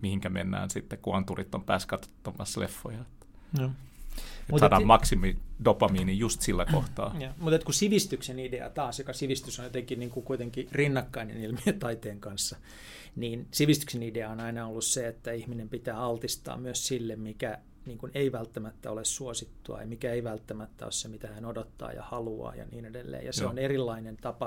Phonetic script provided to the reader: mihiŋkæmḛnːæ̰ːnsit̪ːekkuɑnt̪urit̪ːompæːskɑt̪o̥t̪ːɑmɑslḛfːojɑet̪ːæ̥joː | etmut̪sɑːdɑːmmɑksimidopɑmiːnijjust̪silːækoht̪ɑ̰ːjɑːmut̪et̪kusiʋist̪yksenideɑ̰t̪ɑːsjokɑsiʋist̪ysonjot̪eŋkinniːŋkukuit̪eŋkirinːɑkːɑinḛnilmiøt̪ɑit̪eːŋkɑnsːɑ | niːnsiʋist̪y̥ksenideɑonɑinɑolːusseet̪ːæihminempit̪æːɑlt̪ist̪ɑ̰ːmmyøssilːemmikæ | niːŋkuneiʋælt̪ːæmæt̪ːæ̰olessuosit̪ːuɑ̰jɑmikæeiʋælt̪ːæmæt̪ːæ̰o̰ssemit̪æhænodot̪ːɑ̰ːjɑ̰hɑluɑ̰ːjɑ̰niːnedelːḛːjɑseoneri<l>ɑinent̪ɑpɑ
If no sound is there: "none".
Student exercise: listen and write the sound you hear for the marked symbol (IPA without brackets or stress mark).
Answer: lː